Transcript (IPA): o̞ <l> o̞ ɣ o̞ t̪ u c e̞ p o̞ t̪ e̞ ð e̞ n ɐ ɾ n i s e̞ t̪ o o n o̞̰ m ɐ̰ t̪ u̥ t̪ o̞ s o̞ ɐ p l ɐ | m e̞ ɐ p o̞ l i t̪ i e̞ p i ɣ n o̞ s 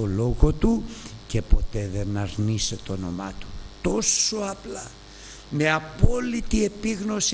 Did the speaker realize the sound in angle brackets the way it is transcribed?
yes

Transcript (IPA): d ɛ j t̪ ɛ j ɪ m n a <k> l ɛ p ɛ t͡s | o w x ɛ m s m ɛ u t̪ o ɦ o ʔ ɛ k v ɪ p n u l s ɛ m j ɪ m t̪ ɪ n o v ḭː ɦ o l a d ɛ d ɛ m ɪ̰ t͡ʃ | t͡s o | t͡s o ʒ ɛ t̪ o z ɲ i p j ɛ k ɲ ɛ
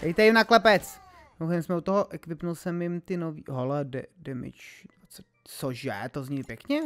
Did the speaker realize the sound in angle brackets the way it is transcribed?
yes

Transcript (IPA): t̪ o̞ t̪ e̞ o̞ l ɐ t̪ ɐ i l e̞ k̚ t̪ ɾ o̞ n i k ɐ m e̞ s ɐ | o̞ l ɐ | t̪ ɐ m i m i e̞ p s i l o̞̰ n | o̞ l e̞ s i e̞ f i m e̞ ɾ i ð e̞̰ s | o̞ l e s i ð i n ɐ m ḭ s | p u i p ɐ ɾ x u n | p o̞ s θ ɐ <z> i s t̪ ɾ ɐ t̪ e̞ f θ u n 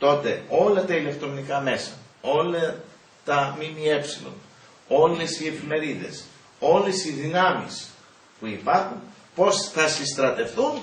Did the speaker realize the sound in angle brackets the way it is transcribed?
no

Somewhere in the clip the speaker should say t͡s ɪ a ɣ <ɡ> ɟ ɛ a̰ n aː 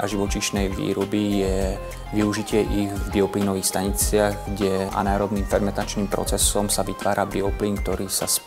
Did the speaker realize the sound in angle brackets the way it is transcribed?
yes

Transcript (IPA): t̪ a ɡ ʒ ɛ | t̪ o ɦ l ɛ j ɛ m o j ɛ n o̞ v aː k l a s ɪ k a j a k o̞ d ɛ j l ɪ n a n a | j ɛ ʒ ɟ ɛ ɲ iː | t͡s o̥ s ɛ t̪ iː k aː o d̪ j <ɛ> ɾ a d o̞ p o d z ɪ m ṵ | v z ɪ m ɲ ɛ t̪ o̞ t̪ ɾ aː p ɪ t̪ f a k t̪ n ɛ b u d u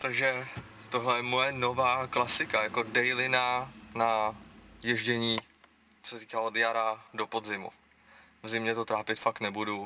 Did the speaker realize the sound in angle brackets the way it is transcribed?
no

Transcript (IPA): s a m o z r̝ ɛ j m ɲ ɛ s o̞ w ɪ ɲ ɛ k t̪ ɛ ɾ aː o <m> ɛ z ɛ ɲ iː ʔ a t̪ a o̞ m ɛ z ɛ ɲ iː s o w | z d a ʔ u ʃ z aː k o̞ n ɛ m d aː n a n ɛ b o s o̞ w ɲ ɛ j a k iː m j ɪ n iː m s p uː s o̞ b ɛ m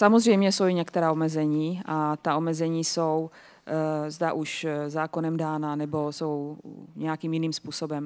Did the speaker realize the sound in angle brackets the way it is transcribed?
yes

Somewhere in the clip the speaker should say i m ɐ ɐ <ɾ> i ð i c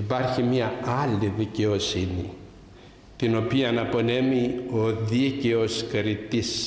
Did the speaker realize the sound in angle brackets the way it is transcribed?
no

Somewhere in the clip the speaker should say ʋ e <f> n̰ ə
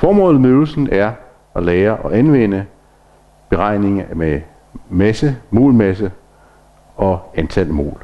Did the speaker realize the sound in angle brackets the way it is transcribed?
no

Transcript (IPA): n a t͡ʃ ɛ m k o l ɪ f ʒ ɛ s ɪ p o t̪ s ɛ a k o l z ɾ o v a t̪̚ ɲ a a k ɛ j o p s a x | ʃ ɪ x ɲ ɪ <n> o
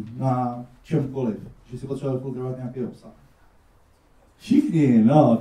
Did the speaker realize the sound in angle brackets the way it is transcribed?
yes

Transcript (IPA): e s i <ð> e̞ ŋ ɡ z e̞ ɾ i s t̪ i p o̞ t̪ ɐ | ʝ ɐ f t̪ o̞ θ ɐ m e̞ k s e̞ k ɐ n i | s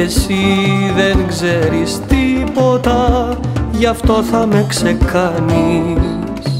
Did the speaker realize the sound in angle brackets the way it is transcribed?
yes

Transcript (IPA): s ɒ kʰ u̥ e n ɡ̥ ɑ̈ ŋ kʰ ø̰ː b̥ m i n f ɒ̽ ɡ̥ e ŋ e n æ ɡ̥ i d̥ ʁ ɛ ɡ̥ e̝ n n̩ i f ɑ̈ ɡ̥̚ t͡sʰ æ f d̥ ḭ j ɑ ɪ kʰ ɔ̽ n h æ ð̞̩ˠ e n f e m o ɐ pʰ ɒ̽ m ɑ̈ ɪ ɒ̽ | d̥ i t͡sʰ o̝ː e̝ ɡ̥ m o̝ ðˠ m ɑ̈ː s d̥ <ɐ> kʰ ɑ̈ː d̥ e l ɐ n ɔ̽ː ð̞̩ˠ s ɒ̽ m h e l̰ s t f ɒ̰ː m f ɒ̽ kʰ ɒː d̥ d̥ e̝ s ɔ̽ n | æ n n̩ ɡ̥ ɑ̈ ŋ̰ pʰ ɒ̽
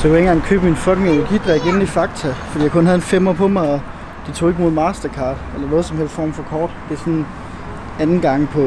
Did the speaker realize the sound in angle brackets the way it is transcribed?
yes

